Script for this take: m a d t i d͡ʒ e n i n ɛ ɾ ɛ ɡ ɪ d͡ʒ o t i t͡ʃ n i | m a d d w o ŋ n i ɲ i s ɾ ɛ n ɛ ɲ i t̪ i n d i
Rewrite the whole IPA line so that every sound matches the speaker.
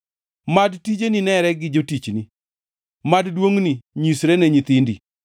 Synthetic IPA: m a d t i d͡ʒ e n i n ɛ ɾ ɛ ɡ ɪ d͡ʒ o t i t͡ʃ n i | m a d d w o ŋ n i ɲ i s ɾ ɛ n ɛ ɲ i t̪ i n d i